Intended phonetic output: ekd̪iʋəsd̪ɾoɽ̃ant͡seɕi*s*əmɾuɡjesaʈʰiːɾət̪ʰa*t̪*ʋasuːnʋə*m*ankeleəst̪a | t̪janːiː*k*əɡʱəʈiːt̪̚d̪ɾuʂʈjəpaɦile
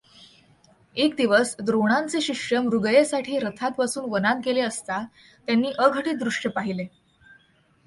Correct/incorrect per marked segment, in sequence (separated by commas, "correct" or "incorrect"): incorrect, correct, incorrect, incorrect